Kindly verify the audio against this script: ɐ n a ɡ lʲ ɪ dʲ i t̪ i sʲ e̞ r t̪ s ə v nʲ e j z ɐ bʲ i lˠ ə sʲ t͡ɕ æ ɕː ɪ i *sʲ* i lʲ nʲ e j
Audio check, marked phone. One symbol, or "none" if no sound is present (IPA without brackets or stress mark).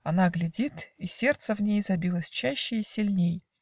sʲ